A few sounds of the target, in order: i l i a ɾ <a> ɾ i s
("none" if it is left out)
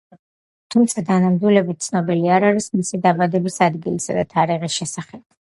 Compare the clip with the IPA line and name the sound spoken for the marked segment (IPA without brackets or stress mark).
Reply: a